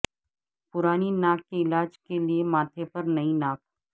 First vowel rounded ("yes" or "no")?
yes